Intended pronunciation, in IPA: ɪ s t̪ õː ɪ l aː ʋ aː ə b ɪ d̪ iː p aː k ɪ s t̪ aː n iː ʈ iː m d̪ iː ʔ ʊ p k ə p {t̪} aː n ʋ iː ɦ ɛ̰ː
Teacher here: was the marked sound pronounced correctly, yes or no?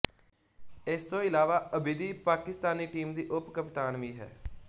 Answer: yes